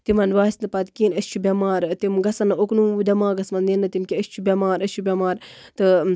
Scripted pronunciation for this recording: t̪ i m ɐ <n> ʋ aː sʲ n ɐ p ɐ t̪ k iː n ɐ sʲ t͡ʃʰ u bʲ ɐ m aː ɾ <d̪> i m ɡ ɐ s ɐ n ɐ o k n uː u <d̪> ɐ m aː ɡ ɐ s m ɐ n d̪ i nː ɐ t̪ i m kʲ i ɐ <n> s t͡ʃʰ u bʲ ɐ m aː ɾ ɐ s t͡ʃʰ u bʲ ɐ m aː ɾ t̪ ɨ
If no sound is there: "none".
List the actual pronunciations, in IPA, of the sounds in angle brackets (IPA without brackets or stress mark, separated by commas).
n, t̪, d̪, none